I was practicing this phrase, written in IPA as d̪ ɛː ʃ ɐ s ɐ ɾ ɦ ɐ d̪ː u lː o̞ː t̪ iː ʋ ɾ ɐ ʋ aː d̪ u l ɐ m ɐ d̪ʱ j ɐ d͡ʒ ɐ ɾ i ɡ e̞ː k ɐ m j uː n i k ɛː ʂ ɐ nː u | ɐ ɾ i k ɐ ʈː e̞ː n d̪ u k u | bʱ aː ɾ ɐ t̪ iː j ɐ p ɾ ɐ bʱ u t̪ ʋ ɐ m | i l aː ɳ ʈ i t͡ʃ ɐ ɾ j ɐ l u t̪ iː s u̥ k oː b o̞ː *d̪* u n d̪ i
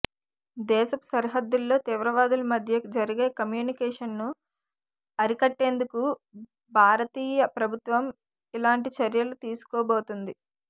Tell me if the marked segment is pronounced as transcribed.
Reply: no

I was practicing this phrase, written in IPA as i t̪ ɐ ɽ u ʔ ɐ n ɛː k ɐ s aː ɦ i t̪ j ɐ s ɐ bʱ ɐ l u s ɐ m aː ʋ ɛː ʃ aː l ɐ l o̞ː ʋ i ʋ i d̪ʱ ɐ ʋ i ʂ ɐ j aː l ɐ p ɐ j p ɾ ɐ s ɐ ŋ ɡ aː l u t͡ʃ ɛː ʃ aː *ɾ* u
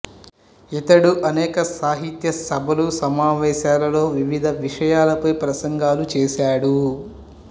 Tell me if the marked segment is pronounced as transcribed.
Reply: no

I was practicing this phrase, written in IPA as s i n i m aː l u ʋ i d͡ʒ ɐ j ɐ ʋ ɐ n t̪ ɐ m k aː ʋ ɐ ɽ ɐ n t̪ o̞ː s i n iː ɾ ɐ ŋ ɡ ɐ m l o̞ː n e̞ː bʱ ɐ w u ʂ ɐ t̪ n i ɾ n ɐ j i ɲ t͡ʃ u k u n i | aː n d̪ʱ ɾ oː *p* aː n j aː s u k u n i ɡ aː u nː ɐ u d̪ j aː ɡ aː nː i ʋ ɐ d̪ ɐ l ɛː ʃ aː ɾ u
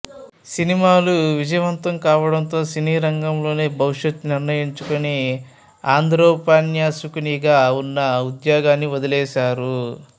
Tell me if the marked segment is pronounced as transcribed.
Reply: yes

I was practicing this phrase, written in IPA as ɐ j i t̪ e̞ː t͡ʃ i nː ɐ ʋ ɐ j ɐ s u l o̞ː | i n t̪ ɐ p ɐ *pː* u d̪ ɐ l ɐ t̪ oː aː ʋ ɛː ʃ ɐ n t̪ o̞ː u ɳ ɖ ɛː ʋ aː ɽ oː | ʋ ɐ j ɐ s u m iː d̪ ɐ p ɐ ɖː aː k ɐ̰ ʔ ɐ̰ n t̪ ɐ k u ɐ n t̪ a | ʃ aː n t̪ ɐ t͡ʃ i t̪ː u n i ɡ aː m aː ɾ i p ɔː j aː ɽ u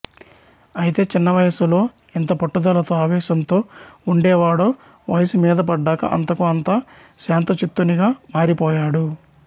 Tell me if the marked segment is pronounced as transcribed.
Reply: no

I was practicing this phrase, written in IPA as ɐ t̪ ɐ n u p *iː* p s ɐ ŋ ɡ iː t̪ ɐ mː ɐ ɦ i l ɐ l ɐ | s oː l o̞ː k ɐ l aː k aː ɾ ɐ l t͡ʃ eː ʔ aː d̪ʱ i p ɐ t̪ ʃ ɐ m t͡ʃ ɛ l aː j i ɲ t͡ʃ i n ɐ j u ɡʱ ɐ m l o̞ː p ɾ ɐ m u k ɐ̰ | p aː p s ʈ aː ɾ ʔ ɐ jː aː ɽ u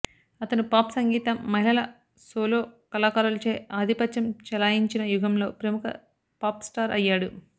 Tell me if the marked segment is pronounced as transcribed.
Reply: no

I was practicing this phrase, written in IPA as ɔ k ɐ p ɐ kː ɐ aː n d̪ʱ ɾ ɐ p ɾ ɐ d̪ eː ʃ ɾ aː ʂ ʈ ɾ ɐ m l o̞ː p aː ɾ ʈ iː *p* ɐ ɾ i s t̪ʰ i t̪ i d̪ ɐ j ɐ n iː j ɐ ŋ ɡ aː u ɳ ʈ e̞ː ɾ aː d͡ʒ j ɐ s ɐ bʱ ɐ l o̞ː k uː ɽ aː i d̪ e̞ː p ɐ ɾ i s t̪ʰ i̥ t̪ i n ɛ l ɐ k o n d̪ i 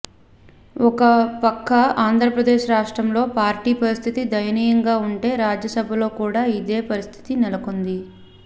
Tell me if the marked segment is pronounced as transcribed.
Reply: yes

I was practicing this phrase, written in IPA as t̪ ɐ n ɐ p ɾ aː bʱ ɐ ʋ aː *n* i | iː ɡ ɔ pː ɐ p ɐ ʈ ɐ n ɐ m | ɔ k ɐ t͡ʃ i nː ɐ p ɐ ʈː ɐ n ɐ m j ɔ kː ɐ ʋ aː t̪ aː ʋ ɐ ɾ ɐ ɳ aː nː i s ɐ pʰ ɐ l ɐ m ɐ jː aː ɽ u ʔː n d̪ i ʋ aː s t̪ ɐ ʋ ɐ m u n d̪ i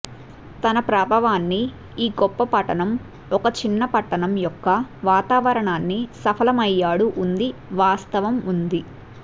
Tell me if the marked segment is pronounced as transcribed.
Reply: no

